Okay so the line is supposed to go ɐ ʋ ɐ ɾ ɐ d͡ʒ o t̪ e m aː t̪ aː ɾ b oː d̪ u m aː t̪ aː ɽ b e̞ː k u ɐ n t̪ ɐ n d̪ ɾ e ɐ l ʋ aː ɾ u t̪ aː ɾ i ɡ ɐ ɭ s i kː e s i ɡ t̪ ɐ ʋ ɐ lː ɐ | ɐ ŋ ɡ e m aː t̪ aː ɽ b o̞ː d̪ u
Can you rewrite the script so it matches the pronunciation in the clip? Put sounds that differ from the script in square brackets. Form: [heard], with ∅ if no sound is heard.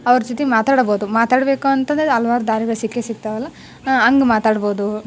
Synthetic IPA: ɐ ʋ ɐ ɾ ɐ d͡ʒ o t̪ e m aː t̪ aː [ɽ] b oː d̪ u m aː t̪ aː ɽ b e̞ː k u ɐ n t̪ ɐ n d̪ ɾ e ɐ l ʋ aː ɾ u [d̪] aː ɾ i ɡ ɐ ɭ s i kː e s i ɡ t̪ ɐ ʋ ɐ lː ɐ | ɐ ŋ ɡ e m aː t̪ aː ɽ b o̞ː d̪ u